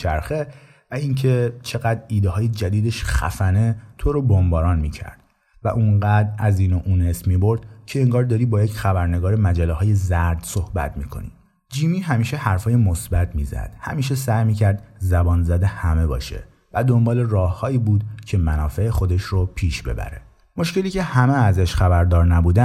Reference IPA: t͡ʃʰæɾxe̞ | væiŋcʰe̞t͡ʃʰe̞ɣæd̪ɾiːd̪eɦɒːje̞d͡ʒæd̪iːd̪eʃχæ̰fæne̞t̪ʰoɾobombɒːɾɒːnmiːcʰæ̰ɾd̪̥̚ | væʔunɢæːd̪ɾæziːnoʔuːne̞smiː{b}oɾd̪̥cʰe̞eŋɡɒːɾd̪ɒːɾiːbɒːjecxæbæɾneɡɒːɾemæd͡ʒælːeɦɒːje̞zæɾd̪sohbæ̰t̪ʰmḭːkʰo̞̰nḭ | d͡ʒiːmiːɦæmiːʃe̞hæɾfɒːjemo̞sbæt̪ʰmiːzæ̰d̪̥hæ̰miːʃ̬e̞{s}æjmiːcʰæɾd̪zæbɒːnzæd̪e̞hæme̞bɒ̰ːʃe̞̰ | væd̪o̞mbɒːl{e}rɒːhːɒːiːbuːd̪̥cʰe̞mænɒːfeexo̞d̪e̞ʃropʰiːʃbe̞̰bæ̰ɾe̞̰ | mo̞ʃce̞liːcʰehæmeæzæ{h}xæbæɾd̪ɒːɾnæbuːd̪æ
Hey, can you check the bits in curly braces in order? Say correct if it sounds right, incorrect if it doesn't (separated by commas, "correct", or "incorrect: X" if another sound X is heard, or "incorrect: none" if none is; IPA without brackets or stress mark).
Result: correct, correct, correct, incorrect: ʃ